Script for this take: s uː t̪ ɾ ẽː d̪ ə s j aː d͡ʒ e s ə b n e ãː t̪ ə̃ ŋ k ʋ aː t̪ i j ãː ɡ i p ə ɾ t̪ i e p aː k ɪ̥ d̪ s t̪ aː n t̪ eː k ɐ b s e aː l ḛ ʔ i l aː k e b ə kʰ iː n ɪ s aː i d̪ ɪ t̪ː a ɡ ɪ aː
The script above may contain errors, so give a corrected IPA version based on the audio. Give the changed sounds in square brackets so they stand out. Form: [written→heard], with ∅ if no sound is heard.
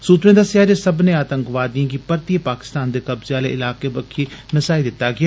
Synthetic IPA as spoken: s uː t̪ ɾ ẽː d̪ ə s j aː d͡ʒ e s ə b n e [ãː→aː] t̪ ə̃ ŋ k ʋ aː [t̪→d̪] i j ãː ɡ i p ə ɾ t̪ i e p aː k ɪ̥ [d̪→∅] s t̪ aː n [t̪→d̪] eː k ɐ b [s→z] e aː l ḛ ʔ [i→ɪ] l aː k e b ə kʰ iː n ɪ s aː i d̪ ɪ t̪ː a ɡ ɪ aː